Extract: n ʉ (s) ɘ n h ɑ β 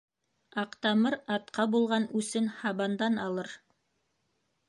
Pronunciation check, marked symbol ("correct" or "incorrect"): correct